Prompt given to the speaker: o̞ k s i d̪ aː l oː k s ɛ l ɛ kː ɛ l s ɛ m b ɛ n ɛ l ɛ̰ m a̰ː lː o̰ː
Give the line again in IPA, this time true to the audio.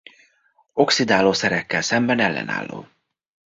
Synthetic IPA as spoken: o̞ k s i d̪ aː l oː s ɛ ɾ ɛ kː ɛ l s ɛ m b ɛ n ɛ lː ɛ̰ n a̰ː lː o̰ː